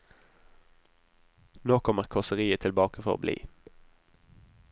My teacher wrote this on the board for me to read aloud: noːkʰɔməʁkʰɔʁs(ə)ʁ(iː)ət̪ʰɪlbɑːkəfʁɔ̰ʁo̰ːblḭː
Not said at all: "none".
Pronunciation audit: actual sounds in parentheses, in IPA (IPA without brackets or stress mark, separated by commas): ə, iː